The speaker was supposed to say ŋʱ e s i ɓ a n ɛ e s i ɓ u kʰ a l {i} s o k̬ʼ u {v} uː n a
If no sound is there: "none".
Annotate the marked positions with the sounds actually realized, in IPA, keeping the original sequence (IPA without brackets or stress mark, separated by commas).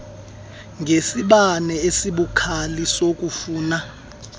i, f